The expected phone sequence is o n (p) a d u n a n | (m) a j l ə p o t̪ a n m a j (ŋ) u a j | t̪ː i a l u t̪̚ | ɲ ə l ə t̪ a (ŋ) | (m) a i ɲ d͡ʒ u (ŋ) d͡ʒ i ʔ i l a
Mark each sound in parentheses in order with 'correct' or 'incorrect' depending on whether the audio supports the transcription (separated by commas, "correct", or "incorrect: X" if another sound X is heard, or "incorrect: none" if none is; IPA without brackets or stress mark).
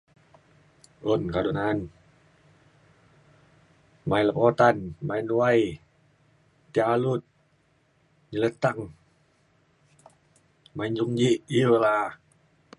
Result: incorrect: k, correct, incorrect: n, correct, correct, correct